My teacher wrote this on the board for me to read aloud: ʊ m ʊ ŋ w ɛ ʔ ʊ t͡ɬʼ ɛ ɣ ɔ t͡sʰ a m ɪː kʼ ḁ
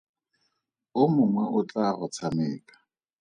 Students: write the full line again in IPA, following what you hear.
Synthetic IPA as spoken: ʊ m ʊ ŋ w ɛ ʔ ʊ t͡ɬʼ a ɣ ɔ t͡sʰ a m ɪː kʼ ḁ